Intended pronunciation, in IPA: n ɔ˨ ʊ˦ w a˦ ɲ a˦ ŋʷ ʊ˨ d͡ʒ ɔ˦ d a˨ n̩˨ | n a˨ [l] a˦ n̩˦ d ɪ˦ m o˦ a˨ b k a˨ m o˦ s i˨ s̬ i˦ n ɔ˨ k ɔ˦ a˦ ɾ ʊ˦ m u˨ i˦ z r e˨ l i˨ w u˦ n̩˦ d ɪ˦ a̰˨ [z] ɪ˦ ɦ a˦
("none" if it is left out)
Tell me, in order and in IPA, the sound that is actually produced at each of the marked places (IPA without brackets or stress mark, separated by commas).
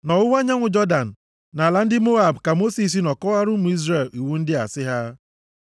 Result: l, s